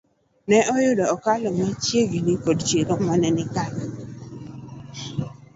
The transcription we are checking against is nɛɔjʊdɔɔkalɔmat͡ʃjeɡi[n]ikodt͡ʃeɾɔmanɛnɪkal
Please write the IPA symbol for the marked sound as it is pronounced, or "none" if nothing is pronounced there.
n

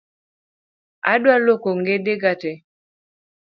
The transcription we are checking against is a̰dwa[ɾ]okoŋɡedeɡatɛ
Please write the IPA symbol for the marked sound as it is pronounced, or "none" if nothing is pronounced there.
l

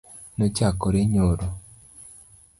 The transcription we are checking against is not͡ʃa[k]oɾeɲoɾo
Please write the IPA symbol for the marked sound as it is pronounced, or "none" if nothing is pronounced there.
k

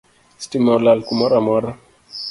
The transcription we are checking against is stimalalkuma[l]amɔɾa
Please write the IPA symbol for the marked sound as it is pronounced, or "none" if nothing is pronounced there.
ɾ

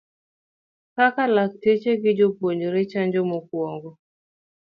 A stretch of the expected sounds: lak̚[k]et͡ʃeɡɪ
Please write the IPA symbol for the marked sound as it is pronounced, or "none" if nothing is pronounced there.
t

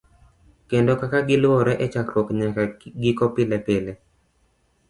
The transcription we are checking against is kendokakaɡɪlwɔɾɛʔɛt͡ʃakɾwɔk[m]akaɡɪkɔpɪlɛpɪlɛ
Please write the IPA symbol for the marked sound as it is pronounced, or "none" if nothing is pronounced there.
ɲ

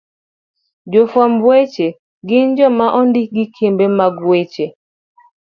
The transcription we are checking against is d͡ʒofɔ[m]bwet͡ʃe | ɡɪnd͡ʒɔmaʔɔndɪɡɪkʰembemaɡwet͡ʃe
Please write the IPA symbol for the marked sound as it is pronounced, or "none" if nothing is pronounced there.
m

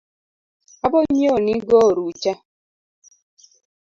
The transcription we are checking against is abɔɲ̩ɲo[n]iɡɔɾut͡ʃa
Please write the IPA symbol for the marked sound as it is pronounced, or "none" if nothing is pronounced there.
n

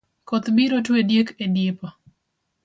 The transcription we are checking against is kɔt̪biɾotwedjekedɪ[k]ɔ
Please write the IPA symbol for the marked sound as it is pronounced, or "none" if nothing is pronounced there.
p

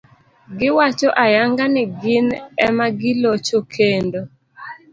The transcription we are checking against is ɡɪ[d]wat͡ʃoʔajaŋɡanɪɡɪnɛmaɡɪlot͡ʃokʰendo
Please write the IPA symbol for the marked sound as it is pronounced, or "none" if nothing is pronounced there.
none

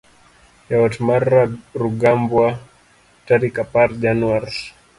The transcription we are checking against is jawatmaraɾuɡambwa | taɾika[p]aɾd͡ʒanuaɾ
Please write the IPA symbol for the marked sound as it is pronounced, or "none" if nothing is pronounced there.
p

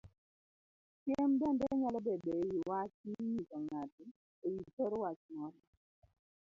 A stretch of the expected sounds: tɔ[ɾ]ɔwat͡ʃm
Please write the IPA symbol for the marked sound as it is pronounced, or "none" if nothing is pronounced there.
ɾ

